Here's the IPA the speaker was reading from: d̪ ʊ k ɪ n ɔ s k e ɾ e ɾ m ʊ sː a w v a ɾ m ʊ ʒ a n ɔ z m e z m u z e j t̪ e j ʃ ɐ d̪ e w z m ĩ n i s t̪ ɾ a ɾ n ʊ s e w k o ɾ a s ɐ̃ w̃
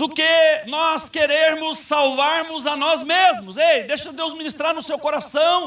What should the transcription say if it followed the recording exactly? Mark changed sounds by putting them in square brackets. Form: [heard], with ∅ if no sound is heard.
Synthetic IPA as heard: d̪ ʊ k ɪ n ɔ s k e ɾ e ɾ m ʊ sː a w v a ɾ m ʊ [z] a n ɔ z m e z m [ʊ] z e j [d̪] e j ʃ ɐ d̪ e w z m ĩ n i s t̪ ɾ a ɾ n ʊ s e w k o ɾ a s ɐ̃ w̃